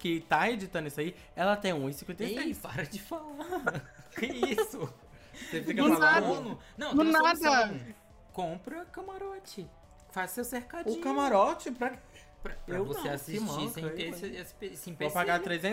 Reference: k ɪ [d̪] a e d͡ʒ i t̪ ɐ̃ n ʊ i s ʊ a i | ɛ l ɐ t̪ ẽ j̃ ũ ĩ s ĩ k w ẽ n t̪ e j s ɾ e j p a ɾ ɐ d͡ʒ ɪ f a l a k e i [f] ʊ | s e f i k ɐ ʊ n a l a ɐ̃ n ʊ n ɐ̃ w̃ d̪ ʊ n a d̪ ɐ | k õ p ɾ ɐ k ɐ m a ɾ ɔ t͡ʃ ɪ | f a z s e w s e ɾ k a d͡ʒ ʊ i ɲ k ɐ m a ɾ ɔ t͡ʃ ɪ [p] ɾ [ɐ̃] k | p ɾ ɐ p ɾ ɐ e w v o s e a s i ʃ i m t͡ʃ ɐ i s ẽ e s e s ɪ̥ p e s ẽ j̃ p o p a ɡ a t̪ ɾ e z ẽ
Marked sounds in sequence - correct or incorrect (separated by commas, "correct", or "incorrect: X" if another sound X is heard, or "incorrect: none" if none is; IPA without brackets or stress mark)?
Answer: incorrect: t̪, incorrect: s, correct, incorrect: ɐ